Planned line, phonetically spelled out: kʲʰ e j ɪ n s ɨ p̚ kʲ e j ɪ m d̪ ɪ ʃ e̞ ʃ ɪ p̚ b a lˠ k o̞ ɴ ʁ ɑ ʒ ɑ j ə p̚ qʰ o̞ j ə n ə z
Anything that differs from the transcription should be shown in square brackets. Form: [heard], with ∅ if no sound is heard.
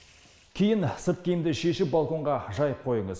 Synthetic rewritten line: kʲʰ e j ɪ n s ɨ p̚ kʲ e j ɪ m d̪ ɪ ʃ e̞ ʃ ɪ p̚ b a lˠ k o̞ ɴ ʁ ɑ ʒ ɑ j ə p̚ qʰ o̞ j ə [ɴ] ə z